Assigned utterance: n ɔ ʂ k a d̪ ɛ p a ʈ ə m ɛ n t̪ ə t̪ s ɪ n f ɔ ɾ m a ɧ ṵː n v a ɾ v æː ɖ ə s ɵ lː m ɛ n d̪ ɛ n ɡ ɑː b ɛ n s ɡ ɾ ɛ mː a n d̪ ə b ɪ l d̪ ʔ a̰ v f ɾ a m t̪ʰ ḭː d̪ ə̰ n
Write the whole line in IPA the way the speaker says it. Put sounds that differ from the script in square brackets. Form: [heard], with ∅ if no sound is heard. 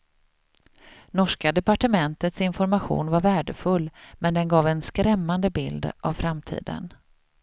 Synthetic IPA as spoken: n ɔ ʂ k a d̪ ɛ p a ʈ ə m ɛ n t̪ ə t̪ s ɪ n f ɔ ɾ m a ɧ ṵː n v a ɾ v æː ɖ ə [f] ɵ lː m ɛ n d̪ ɛ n ɡ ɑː [v] ɛ n s [k] ɾ ɛ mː a n d̪ ə b ɪ l d̪ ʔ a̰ v f ɾ a m t̪ʰ ḭː d̪ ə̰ n